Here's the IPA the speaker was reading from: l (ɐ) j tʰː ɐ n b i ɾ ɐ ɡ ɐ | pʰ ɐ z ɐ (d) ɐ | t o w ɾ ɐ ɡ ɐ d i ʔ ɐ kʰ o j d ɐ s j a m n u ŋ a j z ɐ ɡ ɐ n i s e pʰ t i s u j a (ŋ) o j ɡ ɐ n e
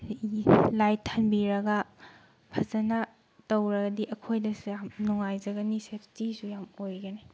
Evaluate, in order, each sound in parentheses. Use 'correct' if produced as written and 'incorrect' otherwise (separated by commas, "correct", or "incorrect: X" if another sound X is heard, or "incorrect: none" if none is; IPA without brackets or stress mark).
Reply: incorrect: a, incorrect: n, incorrect: m